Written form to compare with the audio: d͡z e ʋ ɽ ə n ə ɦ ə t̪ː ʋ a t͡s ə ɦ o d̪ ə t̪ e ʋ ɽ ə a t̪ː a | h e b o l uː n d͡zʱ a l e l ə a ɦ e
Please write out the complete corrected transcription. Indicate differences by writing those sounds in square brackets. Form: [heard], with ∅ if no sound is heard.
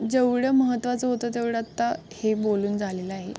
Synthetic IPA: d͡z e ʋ ɽ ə [m] ə ɦ ə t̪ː ʋ a t͡s ə ɦ o [t̪] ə t̪ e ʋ ɽ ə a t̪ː a | h e b o l uː n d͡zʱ a l e l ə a ɦ e